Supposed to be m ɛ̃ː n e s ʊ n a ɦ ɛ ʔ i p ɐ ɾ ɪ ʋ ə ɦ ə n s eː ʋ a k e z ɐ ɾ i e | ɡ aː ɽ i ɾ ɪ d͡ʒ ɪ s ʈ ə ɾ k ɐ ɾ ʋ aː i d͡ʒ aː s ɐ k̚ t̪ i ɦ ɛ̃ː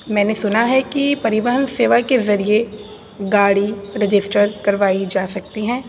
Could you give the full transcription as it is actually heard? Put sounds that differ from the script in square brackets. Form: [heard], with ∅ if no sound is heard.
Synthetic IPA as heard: m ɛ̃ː n e s ʊ n a ɦ ɛ [k] i p ɐ ɾ ɪ ʋ ə ɦ ə n s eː ʋ a k e z ɐ ɾ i e | ɡ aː ɽ i ɾ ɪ d͡ʒ ɪ s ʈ ə ɾ k ɐ ɾ ʋ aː i d͡ʒ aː s ɐ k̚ t̪ i ɦ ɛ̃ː